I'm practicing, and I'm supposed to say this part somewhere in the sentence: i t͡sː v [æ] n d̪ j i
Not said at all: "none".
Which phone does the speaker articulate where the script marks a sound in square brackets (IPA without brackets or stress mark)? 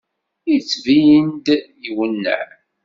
i